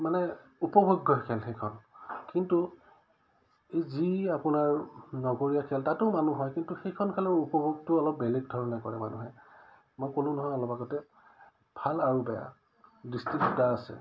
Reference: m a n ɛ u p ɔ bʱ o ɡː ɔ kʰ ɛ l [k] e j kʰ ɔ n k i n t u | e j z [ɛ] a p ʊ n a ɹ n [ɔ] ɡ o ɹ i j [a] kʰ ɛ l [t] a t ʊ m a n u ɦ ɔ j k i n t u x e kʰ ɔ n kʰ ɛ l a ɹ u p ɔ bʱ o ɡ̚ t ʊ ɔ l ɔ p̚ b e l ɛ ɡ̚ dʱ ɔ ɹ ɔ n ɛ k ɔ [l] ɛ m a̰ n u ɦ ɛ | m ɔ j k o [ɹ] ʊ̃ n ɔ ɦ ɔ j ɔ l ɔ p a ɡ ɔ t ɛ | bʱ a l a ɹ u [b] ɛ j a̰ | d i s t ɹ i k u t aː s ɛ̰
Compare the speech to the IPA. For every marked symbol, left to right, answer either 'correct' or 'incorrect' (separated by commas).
incorrect, incorrect, correct, correct, correct, incorrect, incorrect, correct